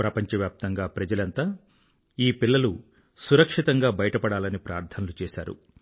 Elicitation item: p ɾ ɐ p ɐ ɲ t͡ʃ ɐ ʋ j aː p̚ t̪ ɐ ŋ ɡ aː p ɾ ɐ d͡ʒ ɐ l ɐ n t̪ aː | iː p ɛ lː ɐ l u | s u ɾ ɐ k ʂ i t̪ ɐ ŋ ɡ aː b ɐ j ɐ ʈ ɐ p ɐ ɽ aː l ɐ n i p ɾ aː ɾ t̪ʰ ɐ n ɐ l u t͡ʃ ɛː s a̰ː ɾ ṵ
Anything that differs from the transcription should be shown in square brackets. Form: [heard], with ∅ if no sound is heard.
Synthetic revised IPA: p ɾ ɐ p ɐ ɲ t͡ʃ ɐ ʋ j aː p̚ t̪ ɐ ŋ ɡ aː p ɾ ɐ d͡ʒ ɐ l ɐ n t̪ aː | iː p [i] lː ɐ l u | s u ɾ ɐ k ʂ i t̪ ɐ ŋ ɡ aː b ɐ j ɐ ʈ ɐ p ɐ ɽ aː l ɐ n i p ɾ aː ɾ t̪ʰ ɐ n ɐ l u t͡ʃ ɛː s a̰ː ɾ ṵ